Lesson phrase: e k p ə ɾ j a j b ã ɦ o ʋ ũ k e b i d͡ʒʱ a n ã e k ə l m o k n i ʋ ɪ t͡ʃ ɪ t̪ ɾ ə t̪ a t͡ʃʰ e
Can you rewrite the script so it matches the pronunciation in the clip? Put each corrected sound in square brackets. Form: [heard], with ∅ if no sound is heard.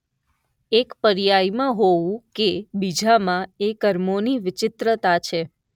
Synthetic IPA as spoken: e k p ə ɾ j a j [m] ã ɦ o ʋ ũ k e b i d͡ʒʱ a [m] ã e k ə [ɾ] m o [∅] n i ʋ ɪ t͡ʃ ɪ t̪ ɾ ə t̪ a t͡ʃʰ e